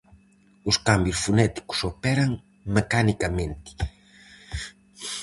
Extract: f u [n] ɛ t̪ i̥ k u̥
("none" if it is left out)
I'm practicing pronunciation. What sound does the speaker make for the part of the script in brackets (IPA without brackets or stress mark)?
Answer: n